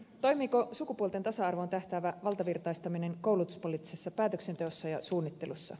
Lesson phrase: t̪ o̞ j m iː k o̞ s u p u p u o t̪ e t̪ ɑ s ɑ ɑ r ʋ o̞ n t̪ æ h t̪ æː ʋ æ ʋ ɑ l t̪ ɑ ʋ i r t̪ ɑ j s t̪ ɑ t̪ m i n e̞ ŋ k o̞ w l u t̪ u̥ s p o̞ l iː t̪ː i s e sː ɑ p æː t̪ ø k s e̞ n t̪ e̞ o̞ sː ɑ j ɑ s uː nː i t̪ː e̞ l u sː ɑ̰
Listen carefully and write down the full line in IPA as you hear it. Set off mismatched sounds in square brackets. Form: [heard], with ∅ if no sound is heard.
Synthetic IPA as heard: t̪ o̞ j m iː k o̞ s u [k] u p u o t̪ e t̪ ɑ s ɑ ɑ r ʋ o̞ n t̪ æ h t̪ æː ʋ æ ʋ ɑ l t̪ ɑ ʋ i r t̪ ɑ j s t̪ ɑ [∅] m i n e̞ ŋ k o̞ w l u t̪ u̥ s p o̞ l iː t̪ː i s e sː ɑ p æː t̪ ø k s e̞ n t̪ e̞ o̞ sː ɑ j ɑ s uː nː i t̪ː e̞ l u sː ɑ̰